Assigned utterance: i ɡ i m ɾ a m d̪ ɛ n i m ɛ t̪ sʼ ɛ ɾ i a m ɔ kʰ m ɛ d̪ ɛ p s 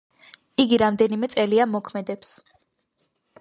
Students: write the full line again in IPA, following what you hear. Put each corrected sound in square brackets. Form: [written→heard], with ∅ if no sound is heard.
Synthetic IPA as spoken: i ɡ i [m→∅] ɾ a m d̪ ɛ n i m ɛ t̪ sʼ ɛ [ɾ→l] i a m ɔ kʰ m ɛ d̪ ɛ p s